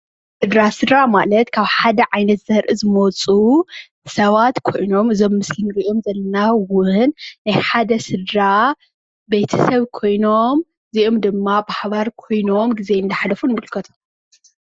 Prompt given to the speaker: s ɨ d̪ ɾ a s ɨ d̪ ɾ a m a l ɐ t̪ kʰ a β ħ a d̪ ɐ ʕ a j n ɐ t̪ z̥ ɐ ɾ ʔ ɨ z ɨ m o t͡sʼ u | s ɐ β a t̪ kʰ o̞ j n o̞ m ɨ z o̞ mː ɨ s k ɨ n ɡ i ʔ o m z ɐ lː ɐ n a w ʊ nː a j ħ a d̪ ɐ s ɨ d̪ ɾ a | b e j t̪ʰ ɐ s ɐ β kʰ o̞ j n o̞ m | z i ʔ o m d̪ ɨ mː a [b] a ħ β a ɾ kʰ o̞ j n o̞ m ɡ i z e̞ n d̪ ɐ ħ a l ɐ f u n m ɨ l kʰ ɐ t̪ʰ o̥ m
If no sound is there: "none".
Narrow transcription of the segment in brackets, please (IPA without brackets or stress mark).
b